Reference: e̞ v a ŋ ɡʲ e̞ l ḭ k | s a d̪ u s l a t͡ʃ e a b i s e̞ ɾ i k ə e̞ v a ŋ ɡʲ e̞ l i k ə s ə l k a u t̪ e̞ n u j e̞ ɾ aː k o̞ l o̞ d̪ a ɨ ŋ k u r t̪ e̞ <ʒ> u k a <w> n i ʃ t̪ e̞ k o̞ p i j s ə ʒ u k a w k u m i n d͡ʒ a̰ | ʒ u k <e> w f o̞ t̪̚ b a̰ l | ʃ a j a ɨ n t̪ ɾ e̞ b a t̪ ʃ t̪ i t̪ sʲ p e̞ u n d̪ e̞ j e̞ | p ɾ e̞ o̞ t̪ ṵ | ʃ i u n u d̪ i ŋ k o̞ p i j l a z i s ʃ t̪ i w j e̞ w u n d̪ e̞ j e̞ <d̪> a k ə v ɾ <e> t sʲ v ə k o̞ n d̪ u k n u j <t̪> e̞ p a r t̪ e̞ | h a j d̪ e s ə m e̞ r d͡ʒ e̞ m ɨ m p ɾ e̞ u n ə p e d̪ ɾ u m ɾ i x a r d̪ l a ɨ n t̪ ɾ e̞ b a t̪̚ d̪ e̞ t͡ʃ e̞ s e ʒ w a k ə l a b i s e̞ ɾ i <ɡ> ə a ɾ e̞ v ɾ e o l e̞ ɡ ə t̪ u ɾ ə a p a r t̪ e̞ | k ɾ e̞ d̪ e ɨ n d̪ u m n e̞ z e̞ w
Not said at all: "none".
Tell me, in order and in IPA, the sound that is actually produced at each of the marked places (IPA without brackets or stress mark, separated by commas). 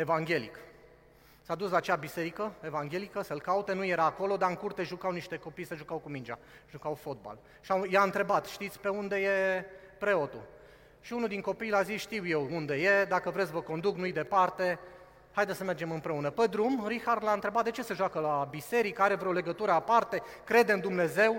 ʒ, w, a, d̪, e, d̪, k